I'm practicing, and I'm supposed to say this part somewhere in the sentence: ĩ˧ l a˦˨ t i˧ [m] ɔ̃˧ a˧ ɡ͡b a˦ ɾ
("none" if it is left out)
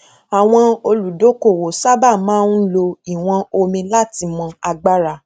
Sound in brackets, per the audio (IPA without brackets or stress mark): m